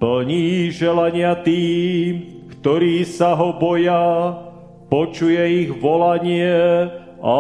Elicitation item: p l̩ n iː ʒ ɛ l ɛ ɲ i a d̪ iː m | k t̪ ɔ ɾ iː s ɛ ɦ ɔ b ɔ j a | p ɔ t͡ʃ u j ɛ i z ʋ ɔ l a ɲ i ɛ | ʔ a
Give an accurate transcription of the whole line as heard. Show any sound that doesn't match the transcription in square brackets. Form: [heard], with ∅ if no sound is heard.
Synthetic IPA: p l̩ [ɲ] iː ʒ ɛ l [a] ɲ [ɪ] a [t̪] iː m | k t̪ ɔ ɾ iː s [a] ɦ ɔ b ɔ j a | p ɔ t͡ʃ u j ɛ i [ɣ] ʋ ɔ l a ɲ [ɪ] ɛ | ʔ a